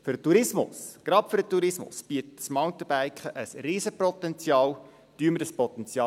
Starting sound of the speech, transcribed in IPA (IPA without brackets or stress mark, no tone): f